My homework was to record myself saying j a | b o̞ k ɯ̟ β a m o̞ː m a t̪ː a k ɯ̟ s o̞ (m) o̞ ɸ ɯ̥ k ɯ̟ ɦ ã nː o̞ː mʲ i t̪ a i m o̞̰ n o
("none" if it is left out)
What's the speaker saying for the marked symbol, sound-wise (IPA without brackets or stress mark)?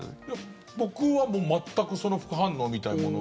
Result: n